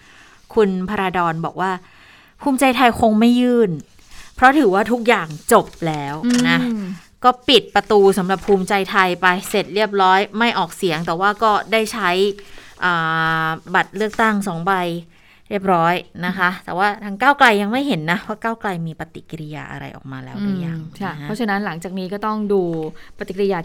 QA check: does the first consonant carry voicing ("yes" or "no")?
no